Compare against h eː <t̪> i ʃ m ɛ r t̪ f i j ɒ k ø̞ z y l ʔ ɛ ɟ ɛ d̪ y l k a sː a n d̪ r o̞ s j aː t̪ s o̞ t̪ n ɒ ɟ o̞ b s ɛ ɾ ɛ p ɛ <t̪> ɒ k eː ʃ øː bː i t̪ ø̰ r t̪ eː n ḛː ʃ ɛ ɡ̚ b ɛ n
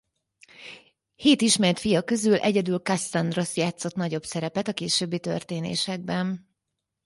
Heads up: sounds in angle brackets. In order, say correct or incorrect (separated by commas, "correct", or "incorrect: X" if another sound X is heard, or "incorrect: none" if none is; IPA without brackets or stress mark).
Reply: correct, correct